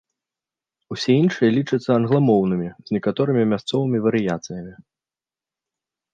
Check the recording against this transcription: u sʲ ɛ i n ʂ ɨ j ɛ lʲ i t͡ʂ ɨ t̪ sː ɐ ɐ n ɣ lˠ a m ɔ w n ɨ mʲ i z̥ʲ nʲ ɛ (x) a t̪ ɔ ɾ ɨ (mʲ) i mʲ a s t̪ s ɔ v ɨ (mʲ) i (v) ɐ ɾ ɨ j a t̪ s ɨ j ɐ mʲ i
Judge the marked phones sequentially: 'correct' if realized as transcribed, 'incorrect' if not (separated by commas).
incorrect, correct, correct, correct